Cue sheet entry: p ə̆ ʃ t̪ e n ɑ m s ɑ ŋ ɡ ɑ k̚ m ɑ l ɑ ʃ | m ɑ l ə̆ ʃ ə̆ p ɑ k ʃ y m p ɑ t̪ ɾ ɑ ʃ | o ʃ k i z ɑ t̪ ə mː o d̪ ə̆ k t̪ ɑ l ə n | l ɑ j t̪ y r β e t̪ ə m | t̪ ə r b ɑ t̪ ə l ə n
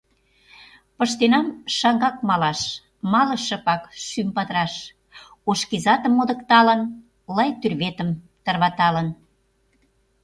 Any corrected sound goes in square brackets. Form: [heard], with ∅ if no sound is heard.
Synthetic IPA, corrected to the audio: p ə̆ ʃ t̪ e n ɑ m [ʃ] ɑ ŋ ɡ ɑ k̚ m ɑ l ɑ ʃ | m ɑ l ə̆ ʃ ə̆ p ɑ k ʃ y m p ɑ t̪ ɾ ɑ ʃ | o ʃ k i z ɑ t̪ ə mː o d̪ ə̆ k t̪ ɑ l ə n | l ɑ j t̪ y r β e t̪ ə m | t̪ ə r [β] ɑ t̪ [ɑ] l ə n